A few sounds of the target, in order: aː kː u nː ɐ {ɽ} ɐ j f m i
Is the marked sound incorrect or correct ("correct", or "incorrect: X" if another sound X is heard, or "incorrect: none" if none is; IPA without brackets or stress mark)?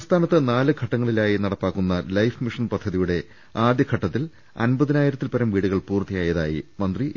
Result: incorrect: l